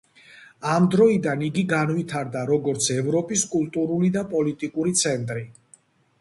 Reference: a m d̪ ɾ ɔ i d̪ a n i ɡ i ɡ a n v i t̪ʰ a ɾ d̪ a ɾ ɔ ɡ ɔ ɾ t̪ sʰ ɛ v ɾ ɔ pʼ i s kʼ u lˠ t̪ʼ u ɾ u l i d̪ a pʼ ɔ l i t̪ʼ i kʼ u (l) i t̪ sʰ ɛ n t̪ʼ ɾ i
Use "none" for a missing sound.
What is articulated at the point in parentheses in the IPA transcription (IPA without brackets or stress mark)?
ɾ